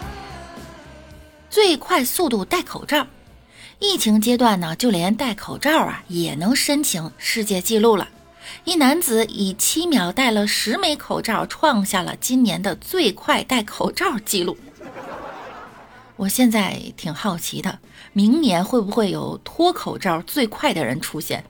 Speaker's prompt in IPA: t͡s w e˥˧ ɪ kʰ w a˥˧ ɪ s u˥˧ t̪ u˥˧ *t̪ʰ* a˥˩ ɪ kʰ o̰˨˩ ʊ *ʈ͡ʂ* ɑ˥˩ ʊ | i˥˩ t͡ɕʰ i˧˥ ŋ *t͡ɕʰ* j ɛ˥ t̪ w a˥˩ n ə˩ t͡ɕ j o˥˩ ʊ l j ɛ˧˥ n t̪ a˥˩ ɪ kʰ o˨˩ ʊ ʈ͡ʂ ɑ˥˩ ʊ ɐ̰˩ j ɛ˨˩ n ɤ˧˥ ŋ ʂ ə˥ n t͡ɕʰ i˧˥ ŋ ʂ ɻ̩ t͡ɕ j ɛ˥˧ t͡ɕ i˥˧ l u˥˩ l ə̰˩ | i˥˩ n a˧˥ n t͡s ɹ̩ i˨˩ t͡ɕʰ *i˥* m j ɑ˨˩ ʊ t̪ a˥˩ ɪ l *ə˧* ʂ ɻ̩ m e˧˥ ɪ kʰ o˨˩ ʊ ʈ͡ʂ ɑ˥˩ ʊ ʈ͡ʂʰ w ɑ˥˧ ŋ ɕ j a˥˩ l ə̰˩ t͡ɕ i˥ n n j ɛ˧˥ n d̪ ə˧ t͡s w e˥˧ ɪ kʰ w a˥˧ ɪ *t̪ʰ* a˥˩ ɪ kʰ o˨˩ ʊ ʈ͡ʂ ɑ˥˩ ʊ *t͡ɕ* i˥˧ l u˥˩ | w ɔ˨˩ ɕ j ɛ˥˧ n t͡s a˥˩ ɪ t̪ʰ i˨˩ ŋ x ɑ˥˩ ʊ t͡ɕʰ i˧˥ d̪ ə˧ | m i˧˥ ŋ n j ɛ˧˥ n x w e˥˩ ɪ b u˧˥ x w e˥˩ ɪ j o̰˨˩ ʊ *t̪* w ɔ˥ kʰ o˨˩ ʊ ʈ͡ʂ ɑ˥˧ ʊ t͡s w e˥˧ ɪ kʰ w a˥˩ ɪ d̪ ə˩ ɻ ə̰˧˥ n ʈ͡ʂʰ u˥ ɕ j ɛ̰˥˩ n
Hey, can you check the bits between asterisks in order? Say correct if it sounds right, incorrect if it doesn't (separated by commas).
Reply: incorrect, correct, incorrect, correct, incorrect, incorrect, correct, incorrect